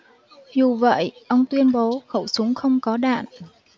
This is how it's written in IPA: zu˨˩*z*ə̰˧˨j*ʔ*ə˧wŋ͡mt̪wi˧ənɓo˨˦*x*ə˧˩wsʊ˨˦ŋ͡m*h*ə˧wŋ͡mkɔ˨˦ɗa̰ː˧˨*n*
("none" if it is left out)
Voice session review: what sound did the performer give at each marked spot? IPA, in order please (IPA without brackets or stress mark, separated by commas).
v, ʔ, x, x, n